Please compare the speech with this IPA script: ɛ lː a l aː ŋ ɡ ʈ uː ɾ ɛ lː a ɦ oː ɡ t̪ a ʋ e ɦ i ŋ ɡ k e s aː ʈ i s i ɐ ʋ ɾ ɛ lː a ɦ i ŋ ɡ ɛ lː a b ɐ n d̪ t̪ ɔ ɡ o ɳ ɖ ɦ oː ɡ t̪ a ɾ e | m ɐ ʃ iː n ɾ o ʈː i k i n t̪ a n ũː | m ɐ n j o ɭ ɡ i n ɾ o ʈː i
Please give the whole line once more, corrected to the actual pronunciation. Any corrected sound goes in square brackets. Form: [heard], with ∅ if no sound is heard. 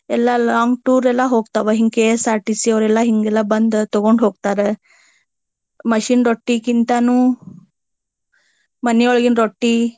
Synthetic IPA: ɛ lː a l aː ŋ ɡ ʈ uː ɾ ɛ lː a ɦ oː ɡ t̪ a ʋ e ɦ i ŋ ɡ k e s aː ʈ i s i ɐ ʋ ɾ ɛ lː a ɦ i ŋ ɡ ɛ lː a b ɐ n d̪ t̪ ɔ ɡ o ɳ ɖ ɦ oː ɡ t̪ a ɾ e | m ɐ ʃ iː n ɾ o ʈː i k i n t̪ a n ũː | m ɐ n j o ɭ ɡ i n ɾ o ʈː i